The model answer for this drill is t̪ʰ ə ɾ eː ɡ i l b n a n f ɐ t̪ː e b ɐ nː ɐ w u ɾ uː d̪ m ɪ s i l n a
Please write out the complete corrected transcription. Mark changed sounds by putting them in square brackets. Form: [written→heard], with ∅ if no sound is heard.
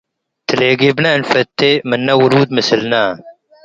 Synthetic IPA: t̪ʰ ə [ɾ→l] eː ɡ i [l→∅] b n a n f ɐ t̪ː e [b→m] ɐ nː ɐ w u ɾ uː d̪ m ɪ s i l n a